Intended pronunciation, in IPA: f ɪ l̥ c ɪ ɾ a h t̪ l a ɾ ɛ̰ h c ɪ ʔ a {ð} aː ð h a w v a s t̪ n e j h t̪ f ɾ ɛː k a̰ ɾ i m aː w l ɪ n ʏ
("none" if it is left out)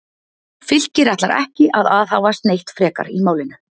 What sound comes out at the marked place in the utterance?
ð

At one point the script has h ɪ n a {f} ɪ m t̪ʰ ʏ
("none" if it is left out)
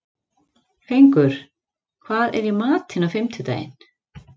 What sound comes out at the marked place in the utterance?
f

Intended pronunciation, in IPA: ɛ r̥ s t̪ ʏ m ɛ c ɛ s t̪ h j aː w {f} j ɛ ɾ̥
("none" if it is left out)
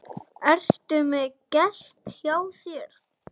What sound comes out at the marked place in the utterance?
θ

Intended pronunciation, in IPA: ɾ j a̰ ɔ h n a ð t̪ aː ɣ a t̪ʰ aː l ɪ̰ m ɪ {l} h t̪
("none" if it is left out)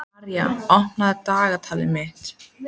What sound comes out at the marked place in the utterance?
none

